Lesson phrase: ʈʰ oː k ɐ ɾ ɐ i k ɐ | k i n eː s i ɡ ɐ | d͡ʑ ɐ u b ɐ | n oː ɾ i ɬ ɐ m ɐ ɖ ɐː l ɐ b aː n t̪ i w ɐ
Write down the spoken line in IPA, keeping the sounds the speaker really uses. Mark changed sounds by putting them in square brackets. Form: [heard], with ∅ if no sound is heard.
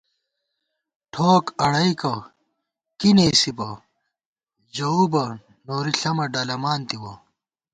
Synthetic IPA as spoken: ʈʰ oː k ɐ [ɽ] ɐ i k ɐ | k i n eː s i [b] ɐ | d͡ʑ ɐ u b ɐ | n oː ɾ i ɬ ɐ m ɐ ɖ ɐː l ɐ [m] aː n t̪ i w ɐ